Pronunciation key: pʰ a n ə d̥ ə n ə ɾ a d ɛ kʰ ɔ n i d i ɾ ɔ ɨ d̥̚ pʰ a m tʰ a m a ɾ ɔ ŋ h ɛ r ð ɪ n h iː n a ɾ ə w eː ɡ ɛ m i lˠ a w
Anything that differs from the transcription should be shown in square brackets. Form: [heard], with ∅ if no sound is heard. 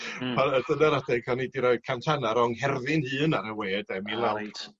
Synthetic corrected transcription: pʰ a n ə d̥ ə n [a] ɾ a d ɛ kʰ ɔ n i d i ɾ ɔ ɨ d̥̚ [kʰ] a m tʰ a [n] a ɾ ɔ ŋ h ɛ r ð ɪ n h [ɨː] n a ɾ ə w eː [d] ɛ m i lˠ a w

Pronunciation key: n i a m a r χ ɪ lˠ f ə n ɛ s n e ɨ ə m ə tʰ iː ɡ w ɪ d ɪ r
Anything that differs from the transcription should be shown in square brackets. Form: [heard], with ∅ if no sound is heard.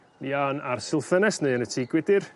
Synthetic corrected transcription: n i a [n] a r [s] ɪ lˠ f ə n ɛ s n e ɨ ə [n] ə tʰ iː ɡ w ɪ d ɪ r

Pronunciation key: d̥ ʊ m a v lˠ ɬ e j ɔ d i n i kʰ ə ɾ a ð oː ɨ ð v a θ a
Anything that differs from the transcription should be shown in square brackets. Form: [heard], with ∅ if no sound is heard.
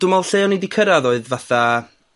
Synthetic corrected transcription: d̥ ʊ m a [∅] lˠ ɬ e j ɔ [n] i [d] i kʰ ə ɾ a ð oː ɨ ð v a θ a

